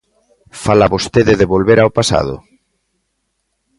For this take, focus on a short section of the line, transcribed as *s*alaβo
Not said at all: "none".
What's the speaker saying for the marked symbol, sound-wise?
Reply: f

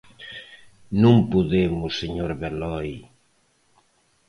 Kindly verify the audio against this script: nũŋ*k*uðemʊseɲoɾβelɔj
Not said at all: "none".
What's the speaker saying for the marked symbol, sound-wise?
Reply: p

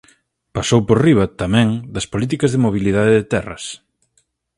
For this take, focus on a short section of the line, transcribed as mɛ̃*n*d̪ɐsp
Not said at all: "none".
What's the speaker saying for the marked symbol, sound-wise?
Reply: ŋ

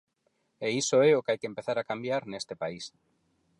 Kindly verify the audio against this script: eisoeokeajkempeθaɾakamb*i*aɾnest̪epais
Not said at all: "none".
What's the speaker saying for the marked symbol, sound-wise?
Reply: j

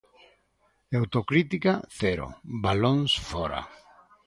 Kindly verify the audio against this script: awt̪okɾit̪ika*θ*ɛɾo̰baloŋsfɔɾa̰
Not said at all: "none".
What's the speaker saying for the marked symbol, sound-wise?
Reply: θ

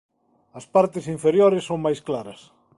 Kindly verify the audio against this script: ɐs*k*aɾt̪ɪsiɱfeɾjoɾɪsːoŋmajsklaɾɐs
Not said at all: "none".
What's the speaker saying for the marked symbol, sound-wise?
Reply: p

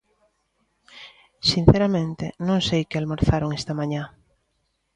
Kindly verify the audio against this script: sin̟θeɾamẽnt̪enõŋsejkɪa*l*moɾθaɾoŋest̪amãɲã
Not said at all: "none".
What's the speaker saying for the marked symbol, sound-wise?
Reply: l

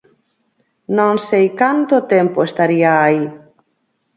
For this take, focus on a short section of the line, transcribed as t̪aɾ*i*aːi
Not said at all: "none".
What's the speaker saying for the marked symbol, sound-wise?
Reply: i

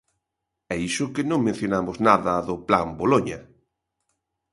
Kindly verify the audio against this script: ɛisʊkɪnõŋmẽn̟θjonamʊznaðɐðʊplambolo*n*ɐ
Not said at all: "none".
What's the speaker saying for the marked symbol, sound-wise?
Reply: ɲ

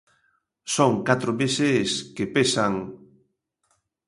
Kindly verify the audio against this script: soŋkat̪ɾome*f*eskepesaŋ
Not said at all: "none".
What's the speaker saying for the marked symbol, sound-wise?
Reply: s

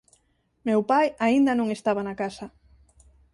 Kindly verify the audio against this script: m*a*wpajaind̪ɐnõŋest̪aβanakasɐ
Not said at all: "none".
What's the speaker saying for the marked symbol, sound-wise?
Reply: e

